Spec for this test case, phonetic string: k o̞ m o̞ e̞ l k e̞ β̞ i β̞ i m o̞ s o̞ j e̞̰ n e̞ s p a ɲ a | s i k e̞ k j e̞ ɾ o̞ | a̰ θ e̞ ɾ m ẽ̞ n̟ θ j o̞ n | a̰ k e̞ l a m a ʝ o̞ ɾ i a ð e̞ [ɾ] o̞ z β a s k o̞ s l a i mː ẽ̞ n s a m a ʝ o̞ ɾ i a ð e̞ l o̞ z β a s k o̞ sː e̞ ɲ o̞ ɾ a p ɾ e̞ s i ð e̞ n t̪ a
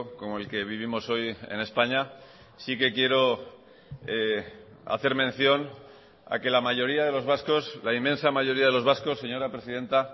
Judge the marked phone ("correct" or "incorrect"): incorrect